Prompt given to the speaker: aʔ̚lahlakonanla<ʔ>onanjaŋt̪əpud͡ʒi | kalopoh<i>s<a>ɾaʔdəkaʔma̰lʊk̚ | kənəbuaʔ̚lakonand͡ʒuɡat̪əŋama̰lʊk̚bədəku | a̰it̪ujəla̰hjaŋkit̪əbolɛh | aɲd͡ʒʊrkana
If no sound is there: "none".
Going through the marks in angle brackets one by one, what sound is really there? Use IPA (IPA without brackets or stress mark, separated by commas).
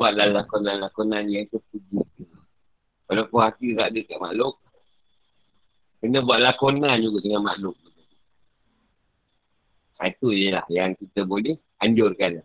k, a, i